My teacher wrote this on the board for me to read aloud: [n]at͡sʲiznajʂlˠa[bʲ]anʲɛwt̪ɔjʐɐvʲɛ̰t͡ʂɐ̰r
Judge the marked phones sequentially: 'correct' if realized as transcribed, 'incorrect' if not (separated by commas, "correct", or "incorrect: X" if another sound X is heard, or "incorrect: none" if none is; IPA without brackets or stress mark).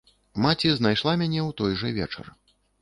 incorrect: m, incorrect: mʲ